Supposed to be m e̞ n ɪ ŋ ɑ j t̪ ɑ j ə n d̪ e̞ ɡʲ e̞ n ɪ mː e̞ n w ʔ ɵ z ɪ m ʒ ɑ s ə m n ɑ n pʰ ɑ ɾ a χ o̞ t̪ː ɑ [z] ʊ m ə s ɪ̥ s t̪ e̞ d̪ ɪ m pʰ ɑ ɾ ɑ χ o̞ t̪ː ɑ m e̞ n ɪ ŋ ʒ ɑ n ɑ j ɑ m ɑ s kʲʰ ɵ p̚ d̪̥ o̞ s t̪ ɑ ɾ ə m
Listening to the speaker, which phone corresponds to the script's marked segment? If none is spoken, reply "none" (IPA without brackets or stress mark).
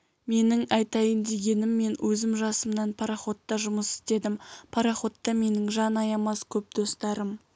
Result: ʒ